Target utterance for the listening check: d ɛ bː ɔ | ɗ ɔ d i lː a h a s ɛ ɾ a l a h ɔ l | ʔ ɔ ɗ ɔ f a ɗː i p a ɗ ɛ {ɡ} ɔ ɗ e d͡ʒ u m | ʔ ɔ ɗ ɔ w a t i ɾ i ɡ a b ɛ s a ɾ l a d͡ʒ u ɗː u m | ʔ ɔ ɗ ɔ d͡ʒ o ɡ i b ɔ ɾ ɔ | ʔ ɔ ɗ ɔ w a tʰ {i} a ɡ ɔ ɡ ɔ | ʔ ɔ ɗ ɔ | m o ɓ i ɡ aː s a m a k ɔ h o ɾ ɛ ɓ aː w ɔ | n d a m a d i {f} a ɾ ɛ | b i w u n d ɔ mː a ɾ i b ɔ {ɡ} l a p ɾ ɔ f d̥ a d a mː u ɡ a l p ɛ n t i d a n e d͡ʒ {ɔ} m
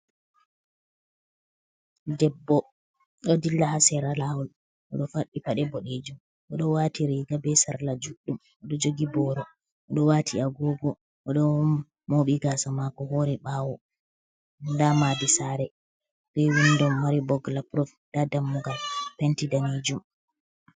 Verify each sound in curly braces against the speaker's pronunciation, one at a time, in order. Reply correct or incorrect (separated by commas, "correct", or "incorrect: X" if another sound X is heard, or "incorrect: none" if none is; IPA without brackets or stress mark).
incorrect: b, correct, incorrect: s, correct, incorrect: u